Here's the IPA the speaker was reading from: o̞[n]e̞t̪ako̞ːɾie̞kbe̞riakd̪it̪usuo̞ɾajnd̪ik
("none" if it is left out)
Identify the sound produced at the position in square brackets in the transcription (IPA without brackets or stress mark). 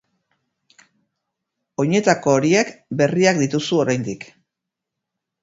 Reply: ɲ